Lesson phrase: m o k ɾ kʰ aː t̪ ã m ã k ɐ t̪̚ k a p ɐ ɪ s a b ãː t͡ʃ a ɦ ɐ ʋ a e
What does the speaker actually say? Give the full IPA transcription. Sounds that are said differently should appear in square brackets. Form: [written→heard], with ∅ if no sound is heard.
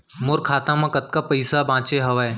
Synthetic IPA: m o [k→∅] ɾ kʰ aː t̪ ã m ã k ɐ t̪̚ k a p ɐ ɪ s a b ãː t͡ʃ [a→e] ɦ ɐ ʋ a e